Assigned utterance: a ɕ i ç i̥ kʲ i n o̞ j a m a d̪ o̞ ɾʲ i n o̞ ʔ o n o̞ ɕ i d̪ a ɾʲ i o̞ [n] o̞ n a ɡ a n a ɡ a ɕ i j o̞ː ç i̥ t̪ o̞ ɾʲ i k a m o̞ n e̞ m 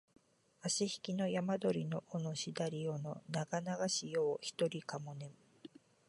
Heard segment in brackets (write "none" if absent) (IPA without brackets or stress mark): n